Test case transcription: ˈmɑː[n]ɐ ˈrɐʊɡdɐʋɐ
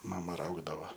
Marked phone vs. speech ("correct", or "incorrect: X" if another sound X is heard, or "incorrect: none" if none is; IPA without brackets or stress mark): incorrect: m